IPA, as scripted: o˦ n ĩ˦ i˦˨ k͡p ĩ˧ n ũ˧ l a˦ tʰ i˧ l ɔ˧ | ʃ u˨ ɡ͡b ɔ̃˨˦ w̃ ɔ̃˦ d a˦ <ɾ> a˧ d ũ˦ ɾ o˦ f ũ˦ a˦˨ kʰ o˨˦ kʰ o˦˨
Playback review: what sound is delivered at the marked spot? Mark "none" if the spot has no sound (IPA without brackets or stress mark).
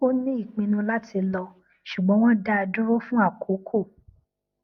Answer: none